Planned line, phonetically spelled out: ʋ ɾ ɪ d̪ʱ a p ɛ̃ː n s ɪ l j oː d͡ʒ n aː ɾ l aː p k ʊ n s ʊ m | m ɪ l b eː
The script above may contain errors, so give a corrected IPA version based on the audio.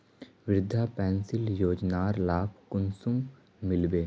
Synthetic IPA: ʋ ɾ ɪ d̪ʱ a p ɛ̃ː n s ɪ l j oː d͡ʒ n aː ɾ l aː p k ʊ n s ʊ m | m ɪ l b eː